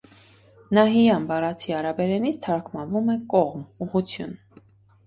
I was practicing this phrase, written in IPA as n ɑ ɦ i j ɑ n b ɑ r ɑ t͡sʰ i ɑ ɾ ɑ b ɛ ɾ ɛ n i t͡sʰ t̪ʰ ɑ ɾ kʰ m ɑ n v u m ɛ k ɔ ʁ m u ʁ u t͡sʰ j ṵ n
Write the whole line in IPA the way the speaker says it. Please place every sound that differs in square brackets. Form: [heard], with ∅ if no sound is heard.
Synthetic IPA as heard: n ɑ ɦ i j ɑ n b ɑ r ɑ t͡sʰ i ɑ ɾ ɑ b ɛ ɾ ɛ n i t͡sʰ t̪ʰ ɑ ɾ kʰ m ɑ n v u m ɛ k ɔ ʁ m u ʁ u t͡sʰ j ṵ n